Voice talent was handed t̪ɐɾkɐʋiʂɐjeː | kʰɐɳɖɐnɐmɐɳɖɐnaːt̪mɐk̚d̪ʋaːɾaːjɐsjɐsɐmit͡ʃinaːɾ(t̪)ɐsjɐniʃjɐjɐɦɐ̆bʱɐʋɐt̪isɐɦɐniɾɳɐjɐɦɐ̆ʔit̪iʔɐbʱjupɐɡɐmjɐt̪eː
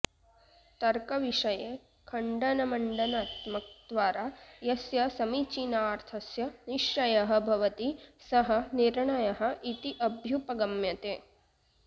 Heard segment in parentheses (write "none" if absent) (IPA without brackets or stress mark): t̪ʰ